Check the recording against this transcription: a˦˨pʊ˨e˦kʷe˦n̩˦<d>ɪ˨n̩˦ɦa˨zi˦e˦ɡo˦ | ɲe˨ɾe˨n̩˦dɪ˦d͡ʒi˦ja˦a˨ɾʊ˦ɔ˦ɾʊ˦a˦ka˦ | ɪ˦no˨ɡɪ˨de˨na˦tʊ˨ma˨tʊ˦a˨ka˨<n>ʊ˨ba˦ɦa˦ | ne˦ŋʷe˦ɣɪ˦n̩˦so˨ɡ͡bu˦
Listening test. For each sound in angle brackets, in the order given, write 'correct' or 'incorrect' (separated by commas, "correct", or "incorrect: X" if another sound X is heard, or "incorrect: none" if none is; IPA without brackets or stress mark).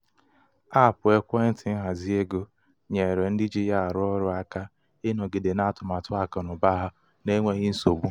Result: incorrect: t, correct